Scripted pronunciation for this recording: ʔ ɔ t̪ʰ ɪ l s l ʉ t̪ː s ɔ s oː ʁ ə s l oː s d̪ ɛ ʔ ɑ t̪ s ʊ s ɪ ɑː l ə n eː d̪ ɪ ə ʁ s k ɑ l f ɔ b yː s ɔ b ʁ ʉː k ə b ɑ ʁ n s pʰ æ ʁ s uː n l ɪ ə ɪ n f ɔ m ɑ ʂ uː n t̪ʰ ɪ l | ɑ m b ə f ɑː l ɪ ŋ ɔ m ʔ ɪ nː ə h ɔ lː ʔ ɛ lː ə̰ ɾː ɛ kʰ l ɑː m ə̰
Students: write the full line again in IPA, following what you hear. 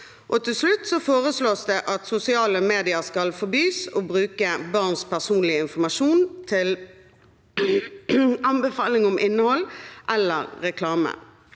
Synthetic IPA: ʔ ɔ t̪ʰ ɪ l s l ʉ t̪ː s ɔ f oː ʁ ə s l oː s d̪ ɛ ʔ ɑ t̪ s ʊ s ɪ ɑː l ə m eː d̪ ɪ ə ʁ s k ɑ l f ɔ b yː s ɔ b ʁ ʉː k ə b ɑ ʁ n s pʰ æ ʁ s uː n l ɪ ə ɪ n f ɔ m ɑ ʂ uː n t̪ʰ ɪ l | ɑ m b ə f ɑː l ɪ ŋ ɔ m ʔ ɪ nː ə h ɔ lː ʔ ɛ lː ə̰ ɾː ɛ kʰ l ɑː m ə̰